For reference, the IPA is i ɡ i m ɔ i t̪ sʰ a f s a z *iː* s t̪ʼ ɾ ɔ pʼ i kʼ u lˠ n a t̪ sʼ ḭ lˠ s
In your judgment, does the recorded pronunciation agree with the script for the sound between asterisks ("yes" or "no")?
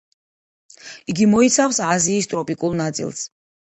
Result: yes